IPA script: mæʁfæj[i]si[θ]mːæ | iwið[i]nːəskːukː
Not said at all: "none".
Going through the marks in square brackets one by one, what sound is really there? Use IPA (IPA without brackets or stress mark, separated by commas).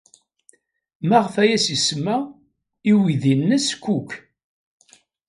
æ, s, i